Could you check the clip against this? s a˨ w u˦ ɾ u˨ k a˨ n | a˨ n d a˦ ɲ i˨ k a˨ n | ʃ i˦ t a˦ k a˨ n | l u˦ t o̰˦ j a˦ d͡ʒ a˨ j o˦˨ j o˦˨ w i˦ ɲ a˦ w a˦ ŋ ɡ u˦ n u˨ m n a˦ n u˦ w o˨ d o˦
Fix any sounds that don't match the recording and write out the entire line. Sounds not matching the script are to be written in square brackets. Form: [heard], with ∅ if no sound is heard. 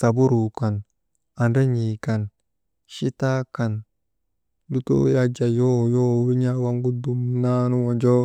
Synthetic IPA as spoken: s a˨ [b] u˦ ɾ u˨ k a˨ n | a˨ n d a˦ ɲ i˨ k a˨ n | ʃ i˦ t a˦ k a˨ n | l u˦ t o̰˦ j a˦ d͡ʒ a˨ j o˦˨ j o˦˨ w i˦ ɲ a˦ w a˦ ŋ ɡ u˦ [d] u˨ m n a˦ n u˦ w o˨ [d͡ʒ] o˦